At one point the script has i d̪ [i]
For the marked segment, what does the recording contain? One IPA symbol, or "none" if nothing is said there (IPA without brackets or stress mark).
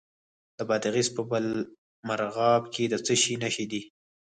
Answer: i